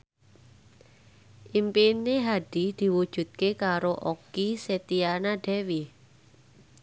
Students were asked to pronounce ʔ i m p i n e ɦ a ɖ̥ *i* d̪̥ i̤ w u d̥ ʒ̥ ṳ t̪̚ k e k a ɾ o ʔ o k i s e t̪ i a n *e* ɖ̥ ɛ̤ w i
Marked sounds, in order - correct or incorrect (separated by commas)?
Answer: correct, incorrect